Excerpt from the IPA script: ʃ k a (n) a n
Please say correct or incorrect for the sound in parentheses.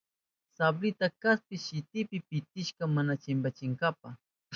incorrect